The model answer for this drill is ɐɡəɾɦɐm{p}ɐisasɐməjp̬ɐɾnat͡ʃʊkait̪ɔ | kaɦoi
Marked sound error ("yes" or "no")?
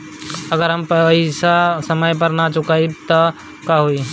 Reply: no